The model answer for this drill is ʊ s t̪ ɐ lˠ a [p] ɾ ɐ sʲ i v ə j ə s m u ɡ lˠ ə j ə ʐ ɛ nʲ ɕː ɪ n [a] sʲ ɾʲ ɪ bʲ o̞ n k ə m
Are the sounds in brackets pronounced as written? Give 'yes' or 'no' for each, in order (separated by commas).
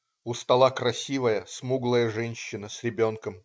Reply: no, no